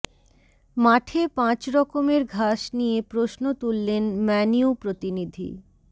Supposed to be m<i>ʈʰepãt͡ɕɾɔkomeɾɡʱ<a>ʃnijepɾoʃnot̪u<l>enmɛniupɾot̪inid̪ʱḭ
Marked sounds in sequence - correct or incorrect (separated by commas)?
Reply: incorrect, correct, incorrect